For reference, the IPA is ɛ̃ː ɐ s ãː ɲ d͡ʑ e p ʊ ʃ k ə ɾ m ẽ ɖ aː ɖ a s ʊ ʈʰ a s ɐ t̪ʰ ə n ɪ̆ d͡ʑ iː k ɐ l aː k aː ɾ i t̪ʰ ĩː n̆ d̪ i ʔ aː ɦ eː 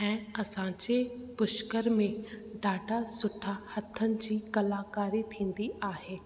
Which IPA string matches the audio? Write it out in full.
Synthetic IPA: ɛ̃ː ɐ s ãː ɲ d͡ʑ e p ʊ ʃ k ə ɾ m ẽ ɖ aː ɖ a s ʊ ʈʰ a h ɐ t̪ʰ ə n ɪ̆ d͡ʑ iː k ɐ l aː k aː ɾ i t̪ʰ ĩː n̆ d̪ i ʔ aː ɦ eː

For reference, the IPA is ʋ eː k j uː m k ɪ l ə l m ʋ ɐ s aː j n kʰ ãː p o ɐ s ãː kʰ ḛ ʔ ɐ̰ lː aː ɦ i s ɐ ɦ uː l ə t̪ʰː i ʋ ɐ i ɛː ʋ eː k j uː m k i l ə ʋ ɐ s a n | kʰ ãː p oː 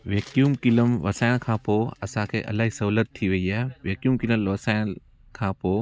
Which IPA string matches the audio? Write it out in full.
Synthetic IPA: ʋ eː k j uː m k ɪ l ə m ʋ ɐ s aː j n kʰ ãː p o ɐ s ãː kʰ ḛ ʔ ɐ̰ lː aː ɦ i s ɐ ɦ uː l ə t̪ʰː i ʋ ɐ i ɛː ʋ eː k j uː m k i l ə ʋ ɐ s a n | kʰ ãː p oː

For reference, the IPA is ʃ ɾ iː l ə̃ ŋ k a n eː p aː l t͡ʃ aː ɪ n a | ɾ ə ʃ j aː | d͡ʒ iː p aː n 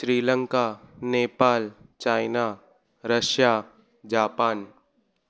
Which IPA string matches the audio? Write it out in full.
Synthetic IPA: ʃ ɾ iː l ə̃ ŋ k a n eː p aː l t͡ʃ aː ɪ n a | ɾ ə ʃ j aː | d͡ʒ aː p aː n

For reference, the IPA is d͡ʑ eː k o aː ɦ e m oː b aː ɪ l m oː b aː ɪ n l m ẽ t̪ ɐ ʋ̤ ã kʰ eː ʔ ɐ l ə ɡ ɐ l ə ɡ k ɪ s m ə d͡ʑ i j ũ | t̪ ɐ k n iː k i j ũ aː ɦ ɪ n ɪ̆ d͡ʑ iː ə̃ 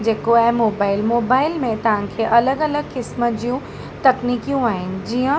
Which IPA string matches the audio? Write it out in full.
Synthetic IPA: d͡ʑ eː k o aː ɦ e m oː b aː ɪ l m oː b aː ɪ l m ẽ t̪ ɐ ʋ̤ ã kʰ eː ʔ ɐ l ə ɡ ɐ l ə ɡ k ɪ s m ə d͡ʑ i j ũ | t̪ ɐ k n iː k i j ũ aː ɦ ɪ n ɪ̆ d͡ʑ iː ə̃

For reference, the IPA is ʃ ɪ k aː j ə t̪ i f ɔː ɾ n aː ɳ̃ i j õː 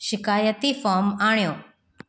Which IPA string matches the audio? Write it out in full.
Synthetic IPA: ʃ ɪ k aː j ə t̪ i f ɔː ɾ m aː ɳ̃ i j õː

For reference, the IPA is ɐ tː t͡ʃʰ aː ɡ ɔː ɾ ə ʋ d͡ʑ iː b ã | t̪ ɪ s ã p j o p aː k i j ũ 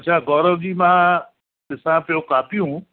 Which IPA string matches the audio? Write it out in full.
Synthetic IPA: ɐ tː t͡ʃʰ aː ɡ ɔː ɾ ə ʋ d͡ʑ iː m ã | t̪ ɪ s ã p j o k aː p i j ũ

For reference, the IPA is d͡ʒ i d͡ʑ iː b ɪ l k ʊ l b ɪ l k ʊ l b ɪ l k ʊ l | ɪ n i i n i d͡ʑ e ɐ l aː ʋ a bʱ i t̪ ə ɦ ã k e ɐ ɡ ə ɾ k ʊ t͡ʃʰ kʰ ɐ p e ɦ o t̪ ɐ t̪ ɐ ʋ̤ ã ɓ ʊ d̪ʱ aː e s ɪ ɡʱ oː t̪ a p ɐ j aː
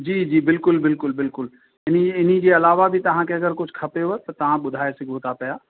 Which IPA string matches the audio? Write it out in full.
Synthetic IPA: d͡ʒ iː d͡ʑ iː b ɪ l k ʊ l b ɪ l k ʊ l b ɪ l k ʊ l | ɪ n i ɪ n i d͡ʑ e ɐ l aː ʋ a bʱ i t̪ ɐ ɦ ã k e ɐ ɡ ə ɾ k ʊ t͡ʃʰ kʰ ɐ p e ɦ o t̪ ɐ t̪ ɐ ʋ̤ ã ɓ ʊ d̪ʱ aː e s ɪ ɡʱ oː t̪ a p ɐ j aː

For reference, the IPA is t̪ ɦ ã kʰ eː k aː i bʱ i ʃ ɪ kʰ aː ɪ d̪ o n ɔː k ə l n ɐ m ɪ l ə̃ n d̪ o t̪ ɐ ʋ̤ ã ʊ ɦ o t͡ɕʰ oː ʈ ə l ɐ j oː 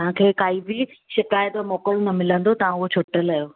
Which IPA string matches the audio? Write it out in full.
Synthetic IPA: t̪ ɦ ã kʰ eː k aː i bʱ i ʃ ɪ k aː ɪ t̪ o m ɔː k ə l n ɐ m ɪ l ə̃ n d̪ o t̪ ɐ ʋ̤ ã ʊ ɦ o t͡ɕʰ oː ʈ ə l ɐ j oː

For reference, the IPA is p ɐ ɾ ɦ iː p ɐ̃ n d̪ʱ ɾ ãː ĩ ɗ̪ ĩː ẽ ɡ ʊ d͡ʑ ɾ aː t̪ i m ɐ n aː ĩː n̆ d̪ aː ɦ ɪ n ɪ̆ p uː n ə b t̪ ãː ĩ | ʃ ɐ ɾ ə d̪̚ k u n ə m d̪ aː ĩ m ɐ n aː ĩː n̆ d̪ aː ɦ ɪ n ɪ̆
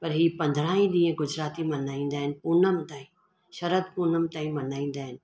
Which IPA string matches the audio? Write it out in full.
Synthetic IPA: p ɐ ɾ ɦ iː p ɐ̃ n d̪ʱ ɾ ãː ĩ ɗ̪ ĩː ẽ ɡ ʊ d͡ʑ ɾ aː t̪ i m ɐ n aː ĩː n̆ d̪ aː ɦ ɪ n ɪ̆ p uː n ə m t̪ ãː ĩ | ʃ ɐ ɾ ə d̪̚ p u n ə m t̪ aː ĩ m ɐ n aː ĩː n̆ d̪ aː ɦ ɪ n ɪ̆

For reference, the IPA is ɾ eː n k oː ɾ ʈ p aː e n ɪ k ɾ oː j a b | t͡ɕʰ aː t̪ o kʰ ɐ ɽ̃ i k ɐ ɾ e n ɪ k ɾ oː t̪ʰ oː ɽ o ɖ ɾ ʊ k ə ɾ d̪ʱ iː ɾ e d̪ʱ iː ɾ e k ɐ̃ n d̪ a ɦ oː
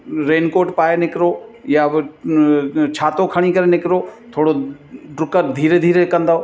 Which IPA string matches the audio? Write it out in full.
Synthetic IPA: ɾ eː n k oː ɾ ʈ p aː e n ɪ k ɾ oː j a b | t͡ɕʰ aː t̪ o kʰ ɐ ɽ̃ i k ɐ ɾ e n ɪ k ɾ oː t̪ʰ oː ɽ o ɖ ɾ ʊ k ə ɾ d̪ʱ iː ɾ e d̪ʱ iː ɾ e k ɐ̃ n d̪ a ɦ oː

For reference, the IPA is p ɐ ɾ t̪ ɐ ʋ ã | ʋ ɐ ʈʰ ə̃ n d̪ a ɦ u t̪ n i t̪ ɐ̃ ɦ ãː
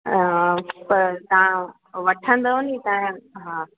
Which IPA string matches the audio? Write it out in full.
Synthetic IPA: p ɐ ɾ t̪ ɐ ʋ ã | ʋ ɐ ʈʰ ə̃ n d̪ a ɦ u n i t̪ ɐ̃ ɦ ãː

